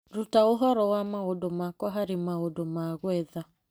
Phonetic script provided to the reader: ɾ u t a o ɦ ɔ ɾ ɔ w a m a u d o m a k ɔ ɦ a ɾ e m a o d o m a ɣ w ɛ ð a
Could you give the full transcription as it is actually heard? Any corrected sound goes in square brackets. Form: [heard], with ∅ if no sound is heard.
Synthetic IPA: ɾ u t a o ɦ ɔ ɾ ɔ w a m a [o] d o m a k ɔ ɦ a ɾ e m a o d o m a ɣ w ɛ ð a